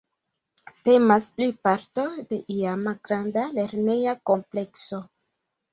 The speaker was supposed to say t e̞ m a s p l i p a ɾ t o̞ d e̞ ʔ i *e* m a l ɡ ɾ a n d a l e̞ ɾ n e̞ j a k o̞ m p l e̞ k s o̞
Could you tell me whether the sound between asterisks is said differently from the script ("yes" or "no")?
yes